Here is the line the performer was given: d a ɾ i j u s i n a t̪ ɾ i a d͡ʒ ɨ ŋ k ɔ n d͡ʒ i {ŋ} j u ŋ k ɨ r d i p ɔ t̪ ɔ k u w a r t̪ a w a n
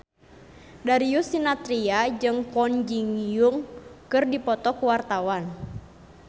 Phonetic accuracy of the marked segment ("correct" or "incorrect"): correct